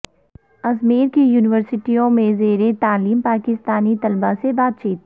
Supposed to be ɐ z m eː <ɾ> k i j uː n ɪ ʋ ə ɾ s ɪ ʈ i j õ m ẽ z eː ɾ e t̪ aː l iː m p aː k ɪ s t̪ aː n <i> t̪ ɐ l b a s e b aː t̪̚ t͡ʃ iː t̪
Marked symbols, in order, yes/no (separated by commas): yes, yes